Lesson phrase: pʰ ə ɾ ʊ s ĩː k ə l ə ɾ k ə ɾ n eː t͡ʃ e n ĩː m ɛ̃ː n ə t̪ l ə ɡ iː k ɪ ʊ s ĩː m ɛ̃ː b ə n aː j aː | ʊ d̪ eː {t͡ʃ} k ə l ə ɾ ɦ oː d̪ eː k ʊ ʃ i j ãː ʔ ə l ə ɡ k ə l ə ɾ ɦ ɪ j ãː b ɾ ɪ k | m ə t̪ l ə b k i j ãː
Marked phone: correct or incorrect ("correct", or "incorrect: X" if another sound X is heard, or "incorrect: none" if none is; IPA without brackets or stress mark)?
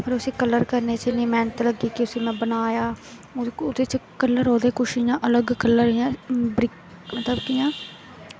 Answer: correct